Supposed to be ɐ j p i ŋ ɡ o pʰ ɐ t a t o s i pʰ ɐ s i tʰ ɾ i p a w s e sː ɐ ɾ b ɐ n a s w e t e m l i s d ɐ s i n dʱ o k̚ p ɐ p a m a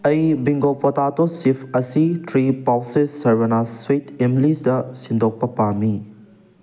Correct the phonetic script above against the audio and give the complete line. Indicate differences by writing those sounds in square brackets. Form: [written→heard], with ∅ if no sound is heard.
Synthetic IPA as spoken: ɐ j [p→b] i ŋ ɡ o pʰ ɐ t a t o s i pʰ ɐ s i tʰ ɾ i p a w s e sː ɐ ɾ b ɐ n a s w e t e m l i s d ɐ s i n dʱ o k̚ p ɐ p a m [a→i]